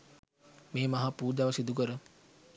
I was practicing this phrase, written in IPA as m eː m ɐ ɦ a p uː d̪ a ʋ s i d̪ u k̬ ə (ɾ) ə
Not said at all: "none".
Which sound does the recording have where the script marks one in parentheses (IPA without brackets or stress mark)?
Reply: ɾ